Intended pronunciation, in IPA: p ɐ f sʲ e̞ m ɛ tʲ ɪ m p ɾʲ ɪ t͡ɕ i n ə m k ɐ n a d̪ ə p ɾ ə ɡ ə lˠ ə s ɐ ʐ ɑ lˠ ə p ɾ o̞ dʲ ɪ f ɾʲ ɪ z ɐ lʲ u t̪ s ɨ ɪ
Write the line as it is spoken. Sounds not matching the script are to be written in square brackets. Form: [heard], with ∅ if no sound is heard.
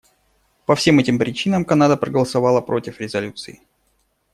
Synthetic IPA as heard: p ɐ f sʲ e̞ m ɛ tʲ ɪ m p ɾʲ ɪ t͡ɕ i n ə m k ɐ n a d̪ ə p ɾ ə ɡ ə lˠ ə s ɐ [v] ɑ lˠ ə p ɾ o̞ [tʲ] ɪ f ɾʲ ɪ z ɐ lʲ u t̪ s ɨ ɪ